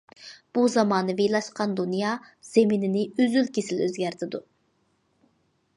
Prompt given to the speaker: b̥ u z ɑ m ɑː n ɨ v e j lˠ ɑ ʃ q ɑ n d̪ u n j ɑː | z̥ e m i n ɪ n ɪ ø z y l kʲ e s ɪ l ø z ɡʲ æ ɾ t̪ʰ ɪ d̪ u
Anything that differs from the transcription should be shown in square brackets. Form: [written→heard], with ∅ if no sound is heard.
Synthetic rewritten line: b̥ u z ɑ m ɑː n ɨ v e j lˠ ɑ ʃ q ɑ n d̪ u n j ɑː | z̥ e m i n ɪ n ɪ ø z y l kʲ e s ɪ l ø z ɡʲ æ ɾ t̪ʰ ɪ d̪ u